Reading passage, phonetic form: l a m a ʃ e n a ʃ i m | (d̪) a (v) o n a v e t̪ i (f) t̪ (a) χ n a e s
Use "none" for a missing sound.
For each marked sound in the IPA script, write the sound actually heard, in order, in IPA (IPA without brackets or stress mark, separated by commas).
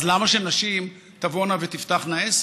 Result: t̪, v, f, a